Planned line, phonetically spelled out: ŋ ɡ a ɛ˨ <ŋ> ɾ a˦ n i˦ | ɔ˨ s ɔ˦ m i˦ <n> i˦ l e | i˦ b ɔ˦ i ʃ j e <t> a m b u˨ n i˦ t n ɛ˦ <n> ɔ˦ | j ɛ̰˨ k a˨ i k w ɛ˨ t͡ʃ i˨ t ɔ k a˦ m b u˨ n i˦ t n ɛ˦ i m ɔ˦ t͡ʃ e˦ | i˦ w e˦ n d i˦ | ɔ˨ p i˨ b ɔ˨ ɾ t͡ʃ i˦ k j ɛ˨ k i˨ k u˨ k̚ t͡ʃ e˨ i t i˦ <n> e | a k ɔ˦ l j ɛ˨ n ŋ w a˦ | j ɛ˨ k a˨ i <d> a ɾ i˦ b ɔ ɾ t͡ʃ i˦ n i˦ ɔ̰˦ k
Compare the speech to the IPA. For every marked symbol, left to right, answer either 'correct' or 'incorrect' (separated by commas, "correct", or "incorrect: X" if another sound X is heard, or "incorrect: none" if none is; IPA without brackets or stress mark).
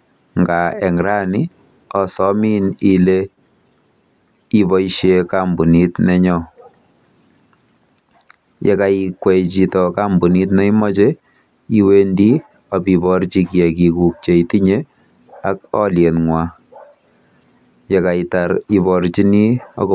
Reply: correct, correct, incorrect: k, incorrect: ɲ, incorrect: ɲ, incorrect: t